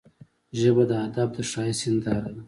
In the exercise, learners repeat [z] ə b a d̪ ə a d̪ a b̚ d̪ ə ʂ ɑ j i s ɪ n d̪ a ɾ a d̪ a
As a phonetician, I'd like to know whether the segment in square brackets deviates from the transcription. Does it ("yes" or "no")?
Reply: yes